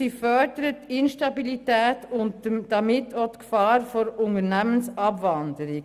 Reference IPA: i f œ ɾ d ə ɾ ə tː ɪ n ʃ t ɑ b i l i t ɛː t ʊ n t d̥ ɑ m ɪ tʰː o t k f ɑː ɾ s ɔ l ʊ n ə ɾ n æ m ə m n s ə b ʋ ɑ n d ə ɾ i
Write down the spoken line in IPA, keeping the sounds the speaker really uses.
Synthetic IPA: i f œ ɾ d ə ɾ ə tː ɪ n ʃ t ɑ b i l i t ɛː t ʊ n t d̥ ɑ m ɪ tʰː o t k f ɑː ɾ f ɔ ɾ ʊ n ə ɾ n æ m ə n s ɑ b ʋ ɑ n d ə ɾ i